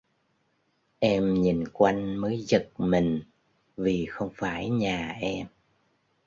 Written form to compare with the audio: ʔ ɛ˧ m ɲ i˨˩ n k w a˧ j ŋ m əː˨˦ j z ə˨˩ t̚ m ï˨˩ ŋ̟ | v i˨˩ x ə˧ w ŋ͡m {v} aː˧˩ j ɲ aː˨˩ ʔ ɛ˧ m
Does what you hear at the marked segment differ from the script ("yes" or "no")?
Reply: yes